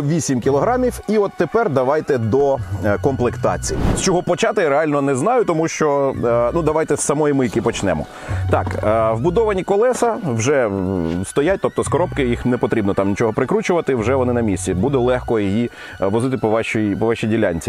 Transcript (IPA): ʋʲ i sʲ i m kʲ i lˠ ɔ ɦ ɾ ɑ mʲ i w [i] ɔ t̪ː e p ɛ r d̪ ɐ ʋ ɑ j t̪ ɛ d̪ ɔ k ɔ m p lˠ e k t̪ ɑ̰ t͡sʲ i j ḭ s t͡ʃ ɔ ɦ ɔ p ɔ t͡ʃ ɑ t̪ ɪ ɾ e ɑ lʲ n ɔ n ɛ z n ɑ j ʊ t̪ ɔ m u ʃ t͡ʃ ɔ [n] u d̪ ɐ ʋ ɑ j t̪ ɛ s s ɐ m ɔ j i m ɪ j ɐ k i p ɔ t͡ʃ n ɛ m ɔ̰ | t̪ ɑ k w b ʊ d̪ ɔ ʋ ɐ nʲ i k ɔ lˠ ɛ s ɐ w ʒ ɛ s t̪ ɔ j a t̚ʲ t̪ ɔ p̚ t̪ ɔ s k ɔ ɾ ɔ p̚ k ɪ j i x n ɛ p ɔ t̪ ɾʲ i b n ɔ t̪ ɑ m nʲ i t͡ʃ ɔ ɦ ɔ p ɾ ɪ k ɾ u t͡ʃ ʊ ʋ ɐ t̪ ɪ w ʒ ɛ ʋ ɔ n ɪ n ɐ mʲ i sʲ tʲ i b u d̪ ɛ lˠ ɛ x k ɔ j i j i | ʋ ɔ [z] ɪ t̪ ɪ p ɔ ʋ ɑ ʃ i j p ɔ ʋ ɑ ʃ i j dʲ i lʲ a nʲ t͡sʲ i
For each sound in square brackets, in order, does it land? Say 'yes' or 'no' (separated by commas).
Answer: yes, yes, yes